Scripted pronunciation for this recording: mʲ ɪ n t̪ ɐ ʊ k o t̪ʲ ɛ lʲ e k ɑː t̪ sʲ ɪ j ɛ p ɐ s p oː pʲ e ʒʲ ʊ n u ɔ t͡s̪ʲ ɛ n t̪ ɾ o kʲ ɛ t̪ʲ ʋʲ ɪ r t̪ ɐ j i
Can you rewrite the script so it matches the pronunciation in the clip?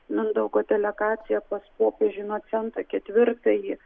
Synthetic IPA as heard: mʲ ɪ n d̪ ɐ ʊ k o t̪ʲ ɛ lʲ ɛ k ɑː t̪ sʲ ɪ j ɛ p ɐ s p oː pʲ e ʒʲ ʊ n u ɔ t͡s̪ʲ ɛ n t̪ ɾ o kʲ ɛ t̪ʲ ʋʲ ɪ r t̪ ɐ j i